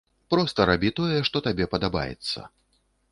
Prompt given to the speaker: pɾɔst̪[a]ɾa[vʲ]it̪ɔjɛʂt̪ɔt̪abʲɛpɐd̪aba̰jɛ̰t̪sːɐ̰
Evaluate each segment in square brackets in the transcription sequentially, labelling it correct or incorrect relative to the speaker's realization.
incorrect, incorrect

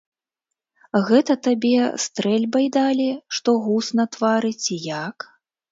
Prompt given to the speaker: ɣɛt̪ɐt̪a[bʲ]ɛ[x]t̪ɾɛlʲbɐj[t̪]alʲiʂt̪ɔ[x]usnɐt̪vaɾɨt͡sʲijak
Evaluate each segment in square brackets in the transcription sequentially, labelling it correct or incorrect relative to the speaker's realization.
correct, incorrect, incorrect, incorrect

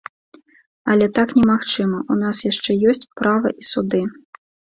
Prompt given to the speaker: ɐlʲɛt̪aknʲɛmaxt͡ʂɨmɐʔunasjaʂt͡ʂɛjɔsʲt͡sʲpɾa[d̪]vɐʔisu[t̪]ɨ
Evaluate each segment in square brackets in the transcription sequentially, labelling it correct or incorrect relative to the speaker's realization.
incorrect, incorrect

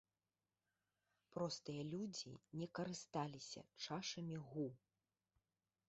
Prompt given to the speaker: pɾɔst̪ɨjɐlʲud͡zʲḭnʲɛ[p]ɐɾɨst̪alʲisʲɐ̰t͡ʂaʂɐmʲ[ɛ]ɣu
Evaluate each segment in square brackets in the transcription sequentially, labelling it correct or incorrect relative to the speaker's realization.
incorrect, incorrect

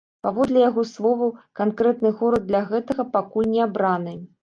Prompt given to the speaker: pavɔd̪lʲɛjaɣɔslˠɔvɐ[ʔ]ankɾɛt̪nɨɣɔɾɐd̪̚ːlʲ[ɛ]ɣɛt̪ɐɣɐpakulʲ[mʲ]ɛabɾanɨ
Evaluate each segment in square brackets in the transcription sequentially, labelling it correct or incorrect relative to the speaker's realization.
incorrect, incorrect, incorrect

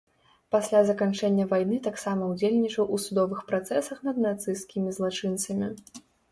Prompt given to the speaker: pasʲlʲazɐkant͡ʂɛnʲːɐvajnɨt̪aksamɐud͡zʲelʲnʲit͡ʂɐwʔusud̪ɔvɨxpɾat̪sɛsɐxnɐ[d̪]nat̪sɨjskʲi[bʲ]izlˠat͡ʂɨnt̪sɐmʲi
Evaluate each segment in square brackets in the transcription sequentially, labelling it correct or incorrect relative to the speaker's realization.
correct, incorrect

